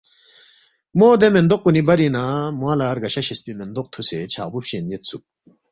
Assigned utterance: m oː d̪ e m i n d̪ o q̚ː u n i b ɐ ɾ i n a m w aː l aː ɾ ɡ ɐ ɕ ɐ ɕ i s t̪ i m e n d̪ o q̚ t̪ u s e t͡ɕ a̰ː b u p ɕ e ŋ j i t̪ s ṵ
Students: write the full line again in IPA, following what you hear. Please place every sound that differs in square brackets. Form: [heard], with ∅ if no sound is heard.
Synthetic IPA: m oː d̪ e m [e] n d̪ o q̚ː u n i b ɐ ɾ i n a m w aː l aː ɾ ɡ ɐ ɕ ɐ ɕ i s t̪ i m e n d̪ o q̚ [t̪ʰ] u s e [t͡ɕʰ] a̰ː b u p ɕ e [n] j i t̪ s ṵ